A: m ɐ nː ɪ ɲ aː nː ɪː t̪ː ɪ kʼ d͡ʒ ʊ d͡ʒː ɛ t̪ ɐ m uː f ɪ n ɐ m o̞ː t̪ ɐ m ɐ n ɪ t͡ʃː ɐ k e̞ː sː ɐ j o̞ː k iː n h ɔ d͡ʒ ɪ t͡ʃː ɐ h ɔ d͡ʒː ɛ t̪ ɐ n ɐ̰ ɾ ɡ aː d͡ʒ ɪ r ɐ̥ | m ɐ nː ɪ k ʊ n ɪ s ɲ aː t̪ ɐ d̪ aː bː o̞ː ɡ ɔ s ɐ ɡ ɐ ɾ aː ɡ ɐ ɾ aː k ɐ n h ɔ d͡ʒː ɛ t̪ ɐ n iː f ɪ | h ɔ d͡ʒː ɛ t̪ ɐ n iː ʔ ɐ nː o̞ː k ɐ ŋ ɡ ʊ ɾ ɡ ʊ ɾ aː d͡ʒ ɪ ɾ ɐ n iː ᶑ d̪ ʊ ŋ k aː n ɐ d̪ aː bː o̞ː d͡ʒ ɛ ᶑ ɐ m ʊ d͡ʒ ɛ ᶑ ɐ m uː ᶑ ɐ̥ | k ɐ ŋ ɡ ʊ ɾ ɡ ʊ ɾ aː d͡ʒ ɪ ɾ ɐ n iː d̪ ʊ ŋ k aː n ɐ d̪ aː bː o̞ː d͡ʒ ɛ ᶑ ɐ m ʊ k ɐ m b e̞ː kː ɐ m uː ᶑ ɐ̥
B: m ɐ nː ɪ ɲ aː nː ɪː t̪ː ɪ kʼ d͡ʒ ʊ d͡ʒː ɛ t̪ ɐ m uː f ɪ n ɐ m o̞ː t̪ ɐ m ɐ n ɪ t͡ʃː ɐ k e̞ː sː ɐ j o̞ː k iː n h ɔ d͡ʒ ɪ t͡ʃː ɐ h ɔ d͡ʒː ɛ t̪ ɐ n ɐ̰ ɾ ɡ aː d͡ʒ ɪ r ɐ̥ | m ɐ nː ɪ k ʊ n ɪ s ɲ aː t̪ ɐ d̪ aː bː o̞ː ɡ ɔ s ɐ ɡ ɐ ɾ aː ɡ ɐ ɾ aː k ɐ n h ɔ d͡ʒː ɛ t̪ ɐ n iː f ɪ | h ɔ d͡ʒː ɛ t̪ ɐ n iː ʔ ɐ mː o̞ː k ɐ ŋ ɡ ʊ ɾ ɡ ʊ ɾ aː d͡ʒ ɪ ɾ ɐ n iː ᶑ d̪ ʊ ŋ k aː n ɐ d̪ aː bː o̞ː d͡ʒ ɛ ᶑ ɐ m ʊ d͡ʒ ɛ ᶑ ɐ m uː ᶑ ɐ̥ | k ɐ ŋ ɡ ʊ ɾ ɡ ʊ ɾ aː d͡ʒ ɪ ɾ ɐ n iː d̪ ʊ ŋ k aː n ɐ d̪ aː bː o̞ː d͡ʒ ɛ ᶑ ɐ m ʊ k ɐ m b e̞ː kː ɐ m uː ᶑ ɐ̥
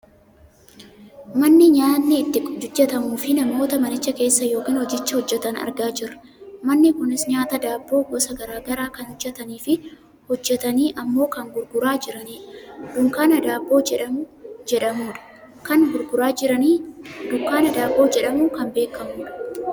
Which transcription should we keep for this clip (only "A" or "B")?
B